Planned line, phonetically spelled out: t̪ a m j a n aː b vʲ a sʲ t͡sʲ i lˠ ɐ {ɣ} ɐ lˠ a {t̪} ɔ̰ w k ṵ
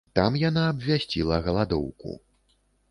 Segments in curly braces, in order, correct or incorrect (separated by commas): correct, incorrect